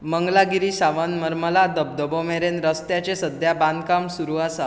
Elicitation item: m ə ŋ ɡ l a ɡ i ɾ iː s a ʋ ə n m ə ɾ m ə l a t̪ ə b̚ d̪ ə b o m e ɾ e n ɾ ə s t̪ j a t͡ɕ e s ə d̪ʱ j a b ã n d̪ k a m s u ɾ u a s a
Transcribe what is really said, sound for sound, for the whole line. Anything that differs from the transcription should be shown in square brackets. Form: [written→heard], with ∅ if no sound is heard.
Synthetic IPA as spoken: m ə ŋ ɡ l a ɡ i ɾ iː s a ʋ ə n m ə ɾ m ə l a [t̪→d̪] ə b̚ d̪ ə b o m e ɾ e n ɾ ə s t̪ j a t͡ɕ e s ə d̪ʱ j a b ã n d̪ k a m s u ɾ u a s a